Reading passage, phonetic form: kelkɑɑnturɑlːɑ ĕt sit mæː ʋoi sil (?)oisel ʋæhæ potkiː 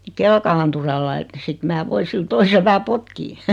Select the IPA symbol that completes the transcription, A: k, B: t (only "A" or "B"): B